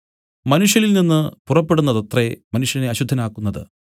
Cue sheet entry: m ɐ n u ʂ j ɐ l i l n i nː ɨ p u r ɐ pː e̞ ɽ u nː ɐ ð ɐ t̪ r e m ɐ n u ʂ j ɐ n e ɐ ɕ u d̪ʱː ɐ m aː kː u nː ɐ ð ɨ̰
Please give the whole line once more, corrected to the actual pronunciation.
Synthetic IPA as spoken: m ɐ n u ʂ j ɐ l i l n i nː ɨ p u r ɐ pː e̞ ɽ u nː ɐ ð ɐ t̪ r e m ɐ n u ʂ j ɐ n e ɐ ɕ u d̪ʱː ɐ n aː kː u nː ɐ ð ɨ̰